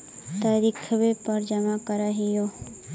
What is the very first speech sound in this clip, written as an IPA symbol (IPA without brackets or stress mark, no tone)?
t̪